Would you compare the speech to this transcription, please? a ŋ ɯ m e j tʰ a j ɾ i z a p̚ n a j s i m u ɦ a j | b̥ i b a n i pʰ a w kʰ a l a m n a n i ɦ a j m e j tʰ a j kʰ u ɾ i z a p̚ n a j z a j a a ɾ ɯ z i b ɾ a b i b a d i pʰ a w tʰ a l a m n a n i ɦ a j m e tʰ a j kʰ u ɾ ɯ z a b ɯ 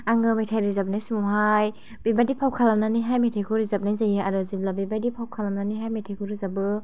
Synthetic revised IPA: a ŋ ɯ m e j tʰ a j ɾ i z a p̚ n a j s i m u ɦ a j | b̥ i b a d i pʰ a w kʰ a l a m n a n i ɦ a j m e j tʰ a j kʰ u ɾ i z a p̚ n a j z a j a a ɾ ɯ z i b l a b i b a d i pʰ a w kʰ a l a m n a n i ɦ a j m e tʰ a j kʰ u ɾ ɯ z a b ɯ

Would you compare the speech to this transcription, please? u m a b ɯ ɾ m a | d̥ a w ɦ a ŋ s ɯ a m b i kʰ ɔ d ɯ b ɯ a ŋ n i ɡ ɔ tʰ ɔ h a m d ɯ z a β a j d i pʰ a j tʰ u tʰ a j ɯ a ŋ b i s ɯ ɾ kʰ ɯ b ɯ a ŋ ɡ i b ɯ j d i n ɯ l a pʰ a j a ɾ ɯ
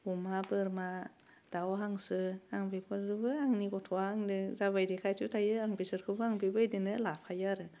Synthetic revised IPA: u m a b ɯ ɾ m a | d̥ a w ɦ a ŋ s ɯ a ŋ b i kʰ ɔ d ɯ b ɯ a ŋ n i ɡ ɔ tʰ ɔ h a ŋ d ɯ z a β a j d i kʰ a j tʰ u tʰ a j ɯ a ŋ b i s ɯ ɾ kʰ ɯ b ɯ a ŋ b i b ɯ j d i n ɯ l a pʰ a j a ɾ ɯ

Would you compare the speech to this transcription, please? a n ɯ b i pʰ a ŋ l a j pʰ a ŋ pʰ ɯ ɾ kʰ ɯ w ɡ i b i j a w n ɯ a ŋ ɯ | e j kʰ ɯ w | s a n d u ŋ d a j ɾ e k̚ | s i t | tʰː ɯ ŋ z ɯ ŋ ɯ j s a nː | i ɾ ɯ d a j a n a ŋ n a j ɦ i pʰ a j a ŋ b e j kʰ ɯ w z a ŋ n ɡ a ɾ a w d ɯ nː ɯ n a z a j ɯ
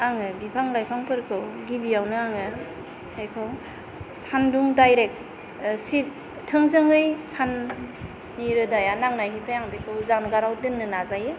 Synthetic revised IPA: a ŋ ɯ b i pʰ a ŋ l a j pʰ a ŋ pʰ ɯ ɾ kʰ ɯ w ɡ i b i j a w n ɯ a ŋ ɯ | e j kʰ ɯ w | s a n d u ŋ d a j ɾ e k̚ | s i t | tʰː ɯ ŋ z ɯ ŋ ɯ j s a nː | i ɾ ɯ d a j a n a ŋ n a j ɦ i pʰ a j a ŋ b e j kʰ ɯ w z a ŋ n ɡ a ɾ a w d ɯ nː ɯ n a z a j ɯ

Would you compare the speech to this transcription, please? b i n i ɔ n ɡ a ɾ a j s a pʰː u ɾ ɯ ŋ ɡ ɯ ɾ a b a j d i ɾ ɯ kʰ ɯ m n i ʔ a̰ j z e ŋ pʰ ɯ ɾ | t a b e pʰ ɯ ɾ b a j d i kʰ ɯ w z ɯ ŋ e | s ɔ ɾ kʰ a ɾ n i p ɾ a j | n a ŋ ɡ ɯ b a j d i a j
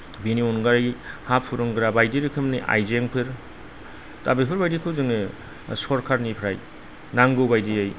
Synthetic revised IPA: b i n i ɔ n ɡ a ɾ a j h a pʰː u ɾ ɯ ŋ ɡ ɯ ɾ a b a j d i ɾ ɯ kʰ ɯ m n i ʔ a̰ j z e ŋ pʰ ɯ ɾ | t a b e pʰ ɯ ɾ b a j d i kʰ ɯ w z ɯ ŋ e | s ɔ ɾ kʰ a ɾ n i pʰ ɾ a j | n a ŋ ɡ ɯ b a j d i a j

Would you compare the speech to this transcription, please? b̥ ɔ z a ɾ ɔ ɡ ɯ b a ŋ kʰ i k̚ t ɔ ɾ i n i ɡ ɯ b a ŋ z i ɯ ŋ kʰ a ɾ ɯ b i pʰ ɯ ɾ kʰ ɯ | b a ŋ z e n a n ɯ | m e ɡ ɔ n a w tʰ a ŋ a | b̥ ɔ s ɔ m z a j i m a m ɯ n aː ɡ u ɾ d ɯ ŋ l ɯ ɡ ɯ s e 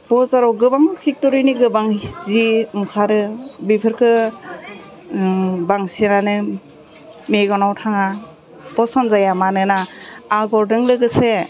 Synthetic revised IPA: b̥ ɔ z a ɾ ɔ ɡ ɯ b a ŋ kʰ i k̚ t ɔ ɾ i n i ɡ ɯ b a ŋ z i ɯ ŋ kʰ a ɾ ɯ b i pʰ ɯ ɾ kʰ ɯ | b a ŋ s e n a n ɯ | m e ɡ ɔ n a w tʰ a ŋ a | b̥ ɔ s ɔ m z a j a m a n ɯ n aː ɡ ɔ ɾ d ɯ ŋ l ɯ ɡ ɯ s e

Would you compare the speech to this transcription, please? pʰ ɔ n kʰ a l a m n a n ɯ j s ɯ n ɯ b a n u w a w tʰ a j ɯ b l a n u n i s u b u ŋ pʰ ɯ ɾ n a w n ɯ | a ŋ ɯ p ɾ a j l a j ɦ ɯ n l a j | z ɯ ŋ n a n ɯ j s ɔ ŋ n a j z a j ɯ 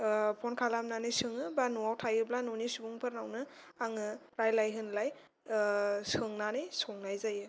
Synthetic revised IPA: pʰ ɔ n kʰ a l a m n a n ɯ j s ɯ ŋ ɯ b a n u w a w tʰ a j ɯ b l a n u n i s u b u ŋ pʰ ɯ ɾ n a w n ɯ | a ŋ ɯ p ɾ a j l a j ɦ ɯ n l a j | s ɯ ŋ n a n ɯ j s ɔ ŋ n a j z a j ɯ

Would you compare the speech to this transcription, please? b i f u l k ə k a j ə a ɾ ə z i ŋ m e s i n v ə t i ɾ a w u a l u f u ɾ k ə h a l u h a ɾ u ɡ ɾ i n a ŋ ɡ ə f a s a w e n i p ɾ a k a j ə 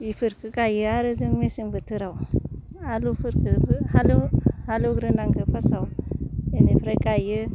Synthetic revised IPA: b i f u ɾ k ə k a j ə a ɾ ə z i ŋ m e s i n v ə t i ɾ a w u a l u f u ɾ k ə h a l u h a l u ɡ ɾ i n a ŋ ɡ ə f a s a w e n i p ɾ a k a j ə

